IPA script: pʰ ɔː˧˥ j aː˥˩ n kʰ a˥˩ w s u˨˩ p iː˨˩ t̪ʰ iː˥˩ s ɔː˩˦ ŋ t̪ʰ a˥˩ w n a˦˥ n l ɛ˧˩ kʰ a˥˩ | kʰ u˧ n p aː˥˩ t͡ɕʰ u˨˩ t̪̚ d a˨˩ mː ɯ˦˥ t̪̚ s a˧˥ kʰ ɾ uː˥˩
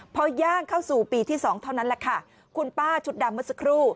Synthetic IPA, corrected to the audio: pʰ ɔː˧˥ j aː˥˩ ŋ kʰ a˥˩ w s uː˨˩ p iː˨˩ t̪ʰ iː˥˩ s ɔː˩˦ ŋ t̪ʰ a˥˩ w n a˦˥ n l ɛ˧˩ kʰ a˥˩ | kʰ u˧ n p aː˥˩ t͡ɕʰ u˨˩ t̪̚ d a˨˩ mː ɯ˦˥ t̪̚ s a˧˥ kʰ ɾ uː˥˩